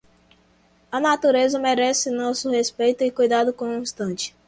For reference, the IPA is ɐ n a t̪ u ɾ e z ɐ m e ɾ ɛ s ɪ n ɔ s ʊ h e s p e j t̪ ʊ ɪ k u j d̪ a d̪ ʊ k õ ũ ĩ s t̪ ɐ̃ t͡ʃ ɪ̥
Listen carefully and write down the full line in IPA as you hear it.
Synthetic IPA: ɐ n a t̪ u ɾ e z ɐ m e ɾ ɛ s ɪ n ɔ s ʊ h e s p e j t̪ ʊ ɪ k u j d̪ a d̪ ʊ k õ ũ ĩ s t̪ ɐ̃ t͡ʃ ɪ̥